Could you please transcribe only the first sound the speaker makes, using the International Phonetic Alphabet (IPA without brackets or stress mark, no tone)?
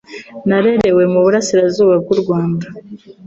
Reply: n